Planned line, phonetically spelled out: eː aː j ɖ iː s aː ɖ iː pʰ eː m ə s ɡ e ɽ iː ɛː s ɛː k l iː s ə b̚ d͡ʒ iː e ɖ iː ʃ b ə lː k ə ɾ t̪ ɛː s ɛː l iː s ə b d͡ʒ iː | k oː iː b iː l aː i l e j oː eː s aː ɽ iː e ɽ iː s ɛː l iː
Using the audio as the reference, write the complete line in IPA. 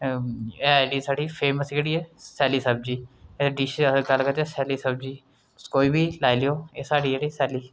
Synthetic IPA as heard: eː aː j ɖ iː s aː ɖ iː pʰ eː m ə s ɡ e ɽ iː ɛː s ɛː l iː s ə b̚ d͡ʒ iː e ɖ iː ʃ ɡ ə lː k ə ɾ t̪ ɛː s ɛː l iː s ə b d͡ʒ iː | k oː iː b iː l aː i l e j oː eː s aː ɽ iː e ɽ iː s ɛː l iː